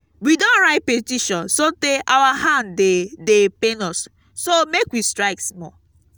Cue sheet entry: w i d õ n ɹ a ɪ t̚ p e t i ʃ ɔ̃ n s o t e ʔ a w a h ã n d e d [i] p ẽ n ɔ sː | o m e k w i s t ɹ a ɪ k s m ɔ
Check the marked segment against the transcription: incorrect: e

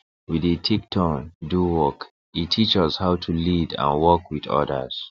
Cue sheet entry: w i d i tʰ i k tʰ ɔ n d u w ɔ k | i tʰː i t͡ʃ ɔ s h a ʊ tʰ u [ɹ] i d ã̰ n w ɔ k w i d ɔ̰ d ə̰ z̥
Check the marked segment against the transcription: incorrect: l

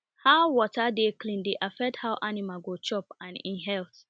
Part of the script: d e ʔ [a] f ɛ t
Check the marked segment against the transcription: correct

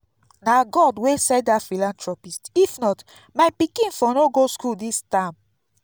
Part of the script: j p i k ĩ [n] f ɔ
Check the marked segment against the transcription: correct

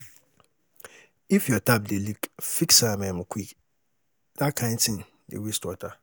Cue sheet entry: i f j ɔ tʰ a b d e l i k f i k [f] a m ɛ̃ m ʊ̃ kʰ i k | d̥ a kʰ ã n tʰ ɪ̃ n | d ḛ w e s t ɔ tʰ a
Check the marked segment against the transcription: incorrect: s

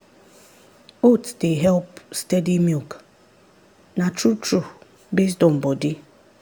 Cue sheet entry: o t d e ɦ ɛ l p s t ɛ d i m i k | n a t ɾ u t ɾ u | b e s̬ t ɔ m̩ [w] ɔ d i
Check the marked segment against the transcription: incorrect: b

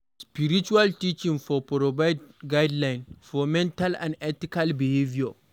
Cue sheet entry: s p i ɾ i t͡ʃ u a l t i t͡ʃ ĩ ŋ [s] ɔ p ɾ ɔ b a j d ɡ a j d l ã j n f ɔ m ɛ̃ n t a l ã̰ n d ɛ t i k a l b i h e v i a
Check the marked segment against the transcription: incorrect: f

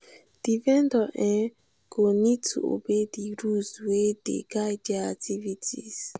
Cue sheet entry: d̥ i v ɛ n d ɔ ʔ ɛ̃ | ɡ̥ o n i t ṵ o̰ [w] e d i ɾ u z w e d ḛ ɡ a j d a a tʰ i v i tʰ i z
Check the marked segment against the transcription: incorrect: b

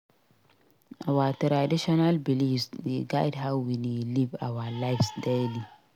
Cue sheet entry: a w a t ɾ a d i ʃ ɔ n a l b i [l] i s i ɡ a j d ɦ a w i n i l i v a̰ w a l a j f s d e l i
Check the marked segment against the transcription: correct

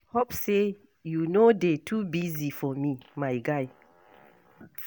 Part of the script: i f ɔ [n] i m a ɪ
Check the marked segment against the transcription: incorrect: m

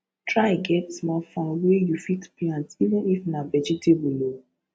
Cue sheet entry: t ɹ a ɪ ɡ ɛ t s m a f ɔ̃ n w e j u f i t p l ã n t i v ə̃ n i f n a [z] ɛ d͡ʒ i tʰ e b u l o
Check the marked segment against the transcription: incorrect: v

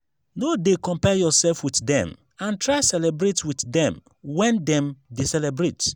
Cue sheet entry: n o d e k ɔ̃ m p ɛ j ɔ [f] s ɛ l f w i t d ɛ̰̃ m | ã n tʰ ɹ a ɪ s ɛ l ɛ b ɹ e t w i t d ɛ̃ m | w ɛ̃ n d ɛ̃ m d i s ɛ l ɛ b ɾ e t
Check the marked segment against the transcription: incorrect: none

